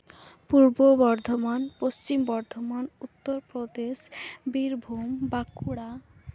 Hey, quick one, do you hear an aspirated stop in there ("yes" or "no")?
no